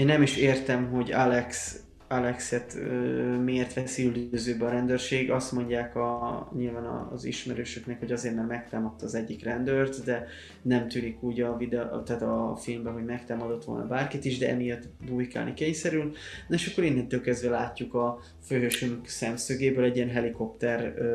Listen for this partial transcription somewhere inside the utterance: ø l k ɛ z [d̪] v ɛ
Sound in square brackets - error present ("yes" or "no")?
no